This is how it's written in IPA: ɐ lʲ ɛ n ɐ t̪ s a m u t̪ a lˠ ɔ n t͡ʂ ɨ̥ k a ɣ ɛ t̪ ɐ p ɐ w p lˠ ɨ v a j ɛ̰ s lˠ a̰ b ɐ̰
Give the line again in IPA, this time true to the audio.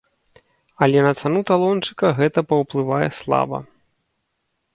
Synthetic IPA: ɐ lʲ ɛ n ɐ t̪ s a n u t̪ a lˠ ɔ n t͡ʂ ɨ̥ k ɐ ɣ ɛ t̪ ɐ p ɐ w p lˠ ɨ v a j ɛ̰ s lˠ a̰ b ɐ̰